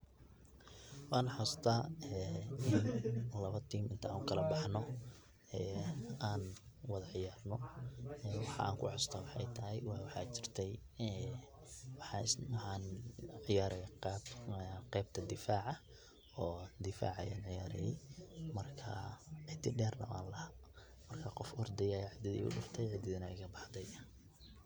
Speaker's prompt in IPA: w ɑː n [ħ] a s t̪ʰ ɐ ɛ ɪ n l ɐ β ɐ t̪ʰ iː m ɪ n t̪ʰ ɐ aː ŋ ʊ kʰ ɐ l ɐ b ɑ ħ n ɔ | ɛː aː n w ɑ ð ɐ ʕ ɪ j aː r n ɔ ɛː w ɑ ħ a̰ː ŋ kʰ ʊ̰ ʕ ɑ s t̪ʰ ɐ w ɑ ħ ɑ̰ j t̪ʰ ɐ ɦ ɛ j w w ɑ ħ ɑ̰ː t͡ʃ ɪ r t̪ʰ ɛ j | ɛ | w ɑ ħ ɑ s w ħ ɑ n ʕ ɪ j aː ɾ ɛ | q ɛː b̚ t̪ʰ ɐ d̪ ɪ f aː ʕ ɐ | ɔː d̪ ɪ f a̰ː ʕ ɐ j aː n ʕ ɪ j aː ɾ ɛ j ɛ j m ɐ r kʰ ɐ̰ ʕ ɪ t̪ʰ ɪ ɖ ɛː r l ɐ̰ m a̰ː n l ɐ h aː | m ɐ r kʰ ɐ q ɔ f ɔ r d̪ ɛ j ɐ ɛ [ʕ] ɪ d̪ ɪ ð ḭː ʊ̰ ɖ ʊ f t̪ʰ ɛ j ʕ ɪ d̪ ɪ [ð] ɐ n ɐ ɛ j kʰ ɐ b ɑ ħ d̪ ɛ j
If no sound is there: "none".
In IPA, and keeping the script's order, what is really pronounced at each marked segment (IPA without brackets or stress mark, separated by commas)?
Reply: ħ, ʕ, ð